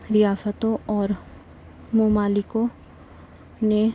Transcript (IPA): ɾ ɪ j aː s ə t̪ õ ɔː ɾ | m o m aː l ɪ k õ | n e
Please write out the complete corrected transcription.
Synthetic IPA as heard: ɾ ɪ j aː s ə t̪ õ ɔː ɾ | m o m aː l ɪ k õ | n e